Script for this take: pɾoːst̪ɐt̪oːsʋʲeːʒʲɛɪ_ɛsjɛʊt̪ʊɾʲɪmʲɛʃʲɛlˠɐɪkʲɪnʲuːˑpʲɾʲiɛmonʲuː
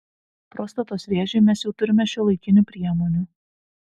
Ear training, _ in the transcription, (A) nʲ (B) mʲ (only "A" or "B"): B